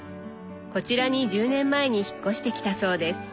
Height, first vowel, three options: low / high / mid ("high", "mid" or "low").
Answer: mid